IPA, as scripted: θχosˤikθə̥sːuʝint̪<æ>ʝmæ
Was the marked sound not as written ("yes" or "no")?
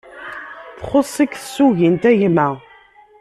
no